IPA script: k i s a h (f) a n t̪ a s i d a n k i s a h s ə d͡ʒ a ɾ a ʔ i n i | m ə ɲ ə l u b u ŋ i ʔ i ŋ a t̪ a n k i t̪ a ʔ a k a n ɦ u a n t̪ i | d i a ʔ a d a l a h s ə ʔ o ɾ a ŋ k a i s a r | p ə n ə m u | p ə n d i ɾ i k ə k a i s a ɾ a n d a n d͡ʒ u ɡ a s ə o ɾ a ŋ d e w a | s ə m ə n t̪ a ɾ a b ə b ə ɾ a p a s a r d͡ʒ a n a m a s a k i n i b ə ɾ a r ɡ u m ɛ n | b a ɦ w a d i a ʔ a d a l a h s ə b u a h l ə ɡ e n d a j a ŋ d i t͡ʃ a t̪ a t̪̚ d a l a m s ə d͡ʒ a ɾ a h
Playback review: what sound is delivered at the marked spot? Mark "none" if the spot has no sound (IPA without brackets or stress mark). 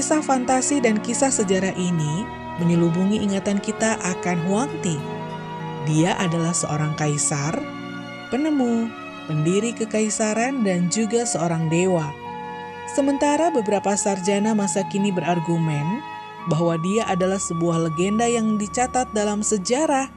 f